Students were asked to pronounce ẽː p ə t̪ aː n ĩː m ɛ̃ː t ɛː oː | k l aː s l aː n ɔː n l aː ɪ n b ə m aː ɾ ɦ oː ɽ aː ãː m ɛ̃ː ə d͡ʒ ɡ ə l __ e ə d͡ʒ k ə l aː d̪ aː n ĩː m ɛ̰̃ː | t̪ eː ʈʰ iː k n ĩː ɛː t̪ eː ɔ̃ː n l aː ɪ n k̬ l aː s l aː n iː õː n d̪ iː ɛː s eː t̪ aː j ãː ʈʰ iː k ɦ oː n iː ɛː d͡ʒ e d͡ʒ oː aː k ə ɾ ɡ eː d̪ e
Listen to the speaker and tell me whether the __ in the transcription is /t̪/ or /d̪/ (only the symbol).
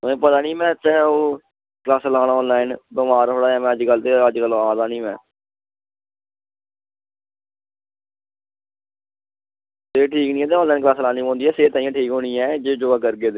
t̪